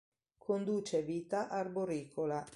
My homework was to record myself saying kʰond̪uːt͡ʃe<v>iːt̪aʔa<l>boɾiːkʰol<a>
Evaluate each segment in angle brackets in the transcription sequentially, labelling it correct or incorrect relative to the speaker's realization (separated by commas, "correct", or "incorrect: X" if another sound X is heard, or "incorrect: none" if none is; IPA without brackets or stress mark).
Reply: correct, incorrect: r, correct